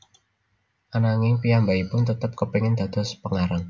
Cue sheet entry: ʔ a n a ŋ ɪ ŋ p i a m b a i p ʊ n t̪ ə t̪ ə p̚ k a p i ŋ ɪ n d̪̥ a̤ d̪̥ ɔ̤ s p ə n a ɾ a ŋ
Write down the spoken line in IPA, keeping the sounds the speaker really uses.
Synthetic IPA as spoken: ʔ a n a ŋ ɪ ŋ p i a m b a i p ʊ n t̪ ə t̪ ə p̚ k ə p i ŋ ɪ n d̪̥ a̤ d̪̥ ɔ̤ s p ə ŋ a ɾ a ŋ